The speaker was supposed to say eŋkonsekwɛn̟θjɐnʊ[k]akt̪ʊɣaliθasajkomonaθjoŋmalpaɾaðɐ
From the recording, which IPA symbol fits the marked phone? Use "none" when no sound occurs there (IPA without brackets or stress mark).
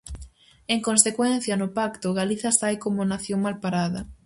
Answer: p